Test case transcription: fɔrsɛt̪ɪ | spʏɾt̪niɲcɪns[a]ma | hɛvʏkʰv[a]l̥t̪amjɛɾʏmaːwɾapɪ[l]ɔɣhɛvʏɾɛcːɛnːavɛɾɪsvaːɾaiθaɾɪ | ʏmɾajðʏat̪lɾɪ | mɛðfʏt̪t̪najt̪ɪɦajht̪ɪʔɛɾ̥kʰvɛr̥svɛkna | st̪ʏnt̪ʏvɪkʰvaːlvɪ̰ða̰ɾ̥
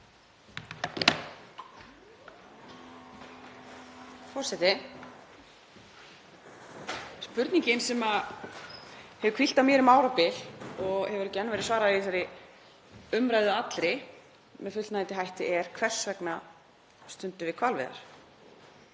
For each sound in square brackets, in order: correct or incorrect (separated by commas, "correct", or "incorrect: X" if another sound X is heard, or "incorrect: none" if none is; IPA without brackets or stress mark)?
incorrect: ɛ, incorrect: i, correct